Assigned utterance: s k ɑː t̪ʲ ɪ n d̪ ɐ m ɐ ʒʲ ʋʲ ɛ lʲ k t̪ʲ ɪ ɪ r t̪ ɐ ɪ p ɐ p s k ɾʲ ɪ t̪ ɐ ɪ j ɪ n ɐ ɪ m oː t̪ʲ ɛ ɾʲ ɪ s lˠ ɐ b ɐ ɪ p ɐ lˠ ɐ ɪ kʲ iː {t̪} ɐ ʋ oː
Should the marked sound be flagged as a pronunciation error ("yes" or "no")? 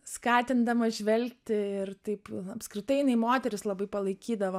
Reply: yes